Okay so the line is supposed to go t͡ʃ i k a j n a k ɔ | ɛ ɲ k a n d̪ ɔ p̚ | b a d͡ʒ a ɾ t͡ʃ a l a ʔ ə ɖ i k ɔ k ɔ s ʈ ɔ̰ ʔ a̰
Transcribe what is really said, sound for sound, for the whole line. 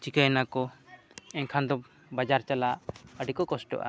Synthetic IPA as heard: t͡ʃ i k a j n a k ɔ | ɛ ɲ kʰ a n d̪ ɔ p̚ | b a d͡ʒ a ɾ t͡ʃ a l a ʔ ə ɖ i k ɔ k ɔ s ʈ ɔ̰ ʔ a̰